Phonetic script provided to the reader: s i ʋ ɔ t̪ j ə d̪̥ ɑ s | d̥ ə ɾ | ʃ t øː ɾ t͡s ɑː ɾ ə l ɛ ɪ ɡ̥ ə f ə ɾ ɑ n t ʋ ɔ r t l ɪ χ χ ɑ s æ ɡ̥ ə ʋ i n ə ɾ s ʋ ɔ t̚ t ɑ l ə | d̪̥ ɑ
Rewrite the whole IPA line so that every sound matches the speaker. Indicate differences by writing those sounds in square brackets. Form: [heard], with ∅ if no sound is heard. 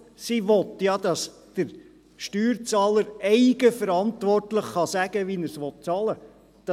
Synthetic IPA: s i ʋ ɔ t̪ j [ɑ] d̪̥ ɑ s | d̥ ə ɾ | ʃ t [yː] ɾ t͡s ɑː [l] ə [ɾ] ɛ ɪ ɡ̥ ə f ə ɾ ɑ n t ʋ ɔ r t l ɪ χ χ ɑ s æ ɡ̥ ə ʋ i n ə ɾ s ʋ ɔ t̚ [t͡s] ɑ l ə | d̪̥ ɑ